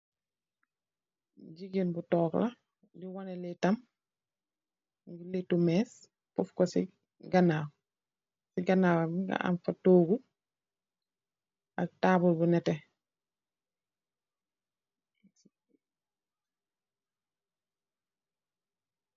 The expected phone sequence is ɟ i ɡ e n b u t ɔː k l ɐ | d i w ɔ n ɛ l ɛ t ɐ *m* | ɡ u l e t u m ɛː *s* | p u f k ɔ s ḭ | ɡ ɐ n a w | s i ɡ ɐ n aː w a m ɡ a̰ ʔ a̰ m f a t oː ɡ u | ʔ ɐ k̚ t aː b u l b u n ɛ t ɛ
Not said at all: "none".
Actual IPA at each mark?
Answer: m, s

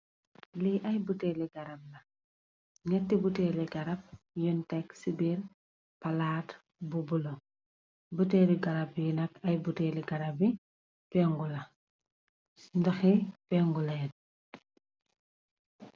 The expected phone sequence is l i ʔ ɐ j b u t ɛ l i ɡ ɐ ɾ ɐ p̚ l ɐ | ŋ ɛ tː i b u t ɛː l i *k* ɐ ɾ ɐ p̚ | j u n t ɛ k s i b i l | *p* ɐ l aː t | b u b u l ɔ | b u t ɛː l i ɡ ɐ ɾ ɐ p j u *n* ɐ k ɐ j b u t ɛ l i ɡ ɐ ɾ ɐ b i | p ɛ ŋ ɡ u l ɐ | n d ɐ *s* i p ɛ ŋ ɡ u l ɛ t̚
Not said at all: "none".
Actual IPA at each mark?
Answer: ɡ, p, n, x

